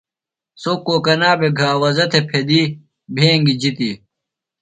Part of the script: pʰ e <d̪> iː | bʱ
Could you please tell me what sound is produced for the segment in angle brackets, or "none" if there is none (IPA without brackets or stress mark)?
d̪